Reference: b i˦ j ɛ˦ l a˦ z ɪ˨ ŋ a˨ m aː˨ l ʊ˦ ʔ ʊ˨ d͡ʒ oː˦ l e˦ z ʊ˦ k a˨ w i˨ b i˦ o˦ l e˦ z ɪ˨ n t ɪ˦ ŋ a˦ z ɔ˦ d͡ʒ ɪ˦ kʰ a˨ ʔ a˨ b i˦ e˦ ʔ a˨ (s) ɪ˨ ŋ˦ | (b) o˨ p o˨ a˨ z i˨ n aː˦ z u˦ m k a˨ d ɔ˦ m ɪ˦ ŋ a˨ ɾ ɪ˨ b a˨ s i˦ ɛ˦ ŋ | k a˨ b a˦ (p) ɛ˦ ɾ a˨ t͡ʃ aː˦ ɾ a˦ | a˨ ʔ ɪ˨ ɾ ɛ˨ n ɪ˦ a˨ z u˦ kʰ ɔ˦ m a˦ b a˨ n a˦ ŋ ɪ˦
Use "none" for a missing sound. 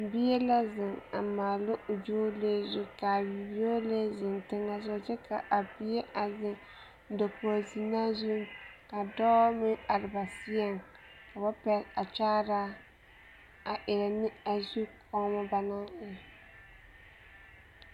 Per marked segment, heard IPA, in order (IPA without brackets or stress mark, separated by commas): z, d, p